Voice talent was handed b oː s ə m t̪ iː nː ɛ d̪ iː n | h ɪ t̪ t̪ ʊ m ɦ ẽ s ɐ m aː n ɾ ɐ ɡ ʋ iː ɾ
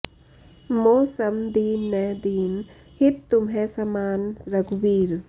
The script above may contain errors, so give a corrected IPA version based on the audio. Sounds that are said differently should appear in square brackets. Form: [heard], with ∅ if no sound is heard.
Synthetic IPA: [m] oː s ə m [d̪] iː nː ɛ d̪ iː n | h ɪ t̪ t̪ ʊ m ɦ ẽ s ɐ m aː n ɾ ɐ ɡ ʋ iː ɾ